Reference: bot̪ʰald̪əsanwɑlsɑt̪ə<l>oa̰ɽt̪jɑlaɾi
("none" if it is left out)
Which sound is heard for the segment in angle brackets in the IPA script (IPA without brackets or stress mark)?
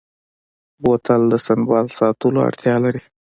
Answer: l